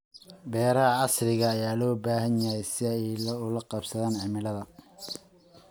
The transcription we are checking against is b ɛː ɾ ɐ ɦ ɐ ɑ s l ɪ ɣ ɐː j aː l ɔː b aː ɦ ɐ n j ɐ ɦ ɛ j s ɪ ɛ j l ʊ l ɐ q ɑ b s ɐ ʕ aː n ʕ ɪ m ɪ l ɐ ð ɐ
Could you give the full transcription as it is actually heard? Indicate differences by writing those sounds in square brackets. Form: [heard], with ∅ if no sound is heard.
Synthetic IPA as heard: b ɛː ɾ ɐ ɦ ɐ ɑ s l ɪ ɣ ɐː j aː l ɔː b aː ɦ ɐ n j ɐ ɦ ɛ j s ɪ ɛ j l ʊ l ɐ q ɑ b s ɐ [ð] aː n ʕ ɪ m ɪ l ɐ ð ɐ